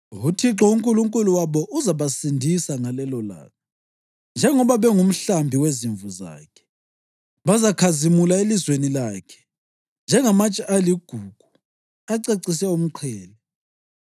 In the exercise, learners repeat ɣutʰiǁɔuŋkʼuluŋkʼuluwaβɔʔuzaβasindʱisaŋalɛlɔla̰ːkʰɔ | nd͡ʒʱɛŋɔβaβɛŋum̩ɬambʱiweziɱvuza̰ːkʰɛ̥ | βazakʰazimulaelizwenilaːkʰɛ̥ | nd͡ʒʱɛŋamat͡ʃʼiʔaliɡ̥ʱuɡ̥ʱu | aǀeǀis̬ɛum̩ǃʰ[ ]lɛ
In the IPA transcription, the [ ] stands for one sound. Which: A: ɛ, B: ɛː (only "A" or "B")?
B